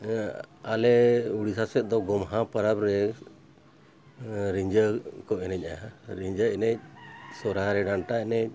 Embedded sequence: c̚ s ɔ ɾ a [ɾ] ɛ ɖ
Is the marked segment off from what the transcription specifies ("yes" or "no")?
no